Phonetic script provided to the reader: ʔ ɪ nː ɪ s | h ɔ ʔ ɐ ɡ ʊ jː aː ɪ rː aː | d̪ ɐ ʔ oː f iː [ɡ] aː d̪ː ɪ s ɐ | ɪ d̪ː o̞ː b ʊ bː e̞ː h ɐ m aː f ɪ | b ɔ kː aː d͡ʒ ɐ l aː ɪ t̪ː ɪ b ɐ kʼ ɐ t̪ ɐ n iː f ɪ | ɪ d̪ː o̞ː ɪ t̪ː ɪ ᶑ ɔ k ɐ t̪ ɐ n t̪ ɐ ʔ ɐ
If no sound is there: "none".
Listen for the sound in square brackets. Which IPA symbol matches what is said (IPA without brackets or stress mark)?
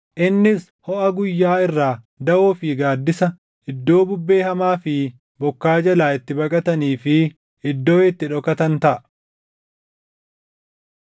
ɡ